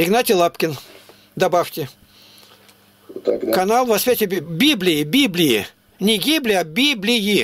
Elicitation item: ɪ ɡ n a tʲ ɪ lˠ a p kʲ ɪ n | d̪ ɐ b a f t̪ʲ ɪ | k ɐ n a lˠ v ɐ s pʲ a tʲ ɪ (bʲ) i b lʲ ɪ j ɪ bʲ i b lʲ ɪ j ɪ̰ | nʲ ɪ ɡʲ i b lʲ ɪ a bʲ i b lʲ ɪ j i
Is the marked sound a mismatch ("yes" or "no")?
no